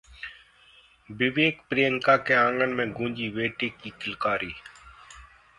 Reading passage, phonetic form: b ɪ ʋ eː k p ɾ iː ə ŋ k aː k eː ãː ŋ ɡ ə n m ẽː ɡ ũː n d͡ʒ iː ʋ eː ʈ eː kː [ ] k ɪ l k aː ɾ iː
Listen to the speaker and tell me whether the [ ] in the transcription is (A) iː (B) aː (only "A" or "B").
A